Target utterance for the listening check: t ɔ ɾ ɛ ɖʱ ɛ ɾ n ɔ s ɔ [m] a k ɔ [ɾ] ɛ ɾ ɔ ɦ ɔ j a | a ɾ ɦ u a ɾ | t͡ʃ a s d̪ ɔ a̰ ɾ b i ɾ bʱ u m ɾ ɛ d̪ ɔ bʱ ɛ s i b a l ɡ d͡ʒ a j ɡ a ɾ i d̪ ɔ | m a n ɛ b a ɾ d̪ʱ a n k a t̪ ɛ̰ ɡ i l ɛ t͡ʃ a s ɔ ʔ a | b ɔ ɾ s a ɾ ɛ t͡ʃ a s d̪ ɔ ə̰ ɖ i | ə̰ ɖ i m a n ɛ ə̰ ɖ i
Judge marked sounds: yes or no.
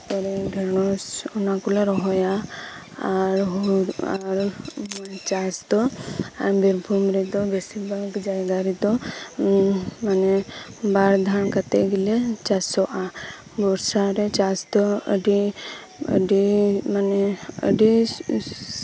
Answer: no, no

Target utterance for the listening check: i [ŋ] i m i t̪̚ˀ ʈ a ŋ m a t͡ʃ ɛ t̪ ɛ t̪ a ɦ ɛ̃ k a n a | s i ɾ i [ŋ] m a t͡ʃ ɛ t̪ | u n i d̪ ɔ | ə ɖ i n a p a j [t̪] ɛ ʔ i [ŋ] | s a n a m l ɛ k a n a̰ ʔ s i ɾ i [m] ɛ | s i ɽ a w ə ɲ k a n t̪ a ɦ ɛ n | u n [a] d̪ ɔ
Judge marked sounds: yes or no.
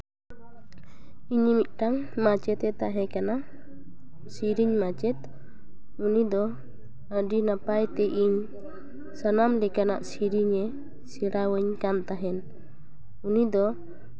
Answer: no, no, yes, no, no, no

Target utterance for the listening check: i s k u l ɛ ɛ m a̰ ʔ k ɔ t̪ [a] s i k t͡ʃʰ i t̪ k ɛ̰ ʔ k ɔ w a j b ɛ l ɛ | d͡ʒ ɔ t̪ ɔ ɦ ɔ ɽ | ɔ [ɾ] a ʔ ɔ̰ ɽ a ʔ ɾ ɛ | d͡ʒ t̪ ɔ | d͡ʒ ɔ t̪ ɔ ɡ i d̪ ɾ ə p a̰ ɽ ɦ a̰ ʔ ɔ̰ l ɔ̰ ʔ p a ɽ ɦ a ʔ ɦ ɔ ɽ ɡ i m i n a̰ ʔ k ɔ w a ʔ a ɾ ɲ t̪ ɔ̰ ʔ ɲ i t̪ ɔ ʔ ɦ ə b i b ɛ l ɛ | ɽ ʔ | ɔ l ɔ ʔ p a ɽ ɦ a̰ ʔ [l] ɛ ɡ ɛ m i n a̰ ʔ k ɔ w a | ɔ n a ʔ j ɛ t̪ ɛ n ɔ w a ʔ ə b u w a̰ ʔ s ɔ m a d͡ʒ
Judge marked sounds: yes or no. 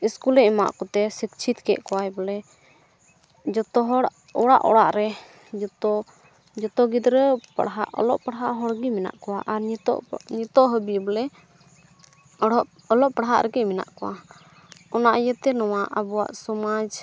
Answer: no, no, no

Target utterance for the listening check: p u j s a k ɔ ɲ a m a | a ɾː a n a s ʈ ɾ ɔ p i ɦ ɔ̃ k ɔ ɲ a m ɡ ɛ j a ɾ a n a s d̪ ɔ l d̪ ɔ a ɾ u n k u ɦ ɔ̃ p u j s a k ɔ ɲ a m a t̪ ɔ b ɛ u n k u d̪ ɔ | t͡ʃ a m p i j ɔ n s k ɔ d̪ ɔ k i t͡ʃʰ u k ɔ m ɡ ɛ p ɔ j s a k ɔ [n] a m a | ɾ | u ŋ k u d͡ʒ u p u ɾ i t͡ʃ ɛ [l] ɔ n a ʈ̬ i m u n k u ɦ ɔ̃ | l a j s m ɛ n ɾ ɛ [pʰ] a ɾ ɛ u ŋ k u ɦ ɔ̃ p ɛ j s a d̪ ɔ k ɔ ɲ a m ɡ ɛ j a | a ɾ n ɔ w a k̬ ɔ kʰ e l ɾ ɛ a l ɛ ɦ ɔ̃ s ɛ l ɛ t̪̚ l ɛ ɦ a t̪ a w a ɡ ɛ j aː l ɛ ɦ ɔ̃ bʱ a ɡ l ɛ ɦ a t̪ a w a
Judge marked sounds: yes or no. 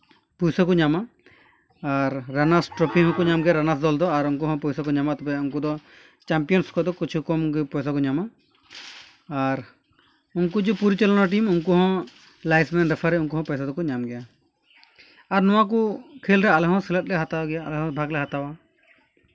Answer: no, yes, yes

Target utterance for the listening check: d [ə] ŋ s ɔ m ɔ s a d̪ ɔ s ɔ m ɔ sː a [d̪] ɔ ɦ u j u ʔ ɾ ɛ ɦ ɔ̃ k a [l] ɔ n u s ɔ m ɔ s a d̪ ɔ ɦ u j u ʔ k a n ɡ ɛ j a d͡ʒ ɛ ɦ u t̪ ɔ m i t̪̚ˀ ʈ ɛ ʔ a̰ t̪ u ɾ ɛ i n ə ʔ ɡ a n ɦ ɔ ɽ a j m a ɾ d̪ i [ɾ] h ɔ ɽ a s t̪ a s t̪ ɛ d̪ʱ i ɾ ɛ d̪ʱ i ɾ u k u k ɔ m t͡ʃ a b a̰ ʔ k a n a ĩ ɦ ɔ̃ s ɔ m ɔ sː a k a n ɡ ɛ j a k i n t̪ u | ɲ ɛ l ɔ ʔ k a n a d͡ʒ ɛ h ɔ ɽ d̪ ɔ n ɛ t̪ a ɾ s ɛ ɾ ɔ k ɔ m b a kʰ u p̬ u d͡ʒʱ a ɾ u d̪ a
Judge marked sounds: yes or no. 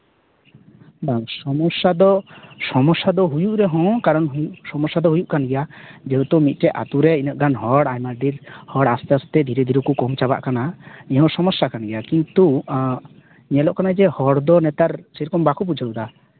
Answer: no, yes, no, yes

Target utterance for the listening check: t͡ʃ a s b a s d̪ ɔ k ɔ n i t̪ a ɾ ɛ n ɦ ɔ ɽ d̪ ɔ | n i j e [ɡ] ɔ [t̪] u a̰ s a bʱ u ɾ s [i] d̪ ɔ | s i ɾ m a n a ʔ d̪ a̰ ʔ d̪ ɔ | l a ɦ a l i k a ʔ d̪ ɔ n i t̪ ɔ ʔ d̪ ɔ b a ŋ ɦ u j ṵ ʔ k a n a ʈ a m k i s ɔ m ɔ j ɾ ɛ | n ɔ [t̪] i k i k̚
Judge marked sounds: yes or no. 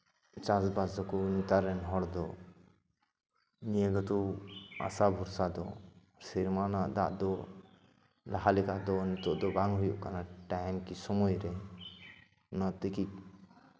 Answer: yes, yes, no, yes

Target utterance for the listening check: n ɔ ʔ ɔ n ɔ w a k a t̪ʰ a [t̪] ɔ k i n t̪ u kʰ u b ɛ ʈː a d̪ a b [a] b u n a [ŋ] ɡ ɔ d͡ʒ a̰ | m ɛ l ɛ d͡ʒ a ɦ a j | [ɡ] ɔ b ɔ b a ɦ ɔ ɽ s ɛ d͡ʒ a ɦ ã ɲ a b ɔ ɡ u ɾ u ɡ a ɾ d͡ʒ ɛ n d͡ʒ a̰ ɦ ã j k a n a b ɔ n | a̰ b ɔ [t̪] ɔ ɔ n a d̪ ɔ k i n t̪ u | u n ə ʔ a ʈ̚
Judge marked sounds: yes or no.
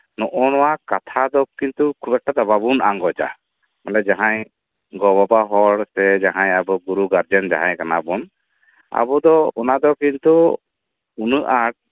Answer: no, yes, yes, yes, no

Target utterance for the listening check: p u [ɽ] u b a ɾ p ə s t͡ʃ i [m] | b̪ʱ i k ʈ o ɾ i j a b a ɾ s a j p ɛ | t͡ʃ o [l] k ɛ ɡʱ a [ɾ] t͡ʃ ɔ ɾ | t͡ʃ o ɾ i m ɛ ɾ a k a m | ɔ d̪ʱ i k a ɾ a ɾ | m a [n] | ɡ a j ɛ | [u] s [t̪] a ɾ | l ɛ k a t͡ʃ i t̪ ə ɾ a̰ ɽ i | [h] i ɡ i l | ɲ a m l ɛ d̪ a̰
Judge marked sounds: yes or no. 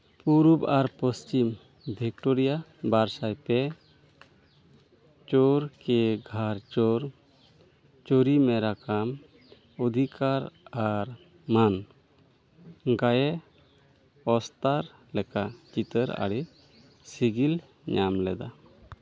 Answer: no, yes, no, yes, yes, no, yes, no

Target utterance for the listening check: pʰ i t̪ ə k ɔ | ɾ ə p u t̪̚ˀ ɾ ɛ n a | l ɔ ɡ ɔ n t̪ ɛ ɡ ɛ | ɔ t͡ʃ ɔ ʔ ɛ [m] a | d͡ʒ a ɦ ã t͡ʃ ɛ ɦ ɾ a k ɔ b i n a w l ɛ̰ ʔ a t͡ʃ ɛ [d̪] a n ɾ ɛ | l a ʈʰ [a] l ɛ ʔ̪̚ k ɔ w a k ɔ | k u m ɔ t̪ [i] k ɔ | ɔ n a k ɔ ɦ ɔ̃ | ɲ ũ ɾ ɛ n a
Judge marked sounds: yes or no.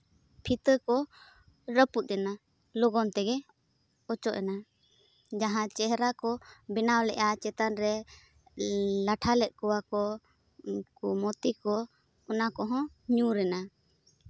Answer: no, no, yes, yes

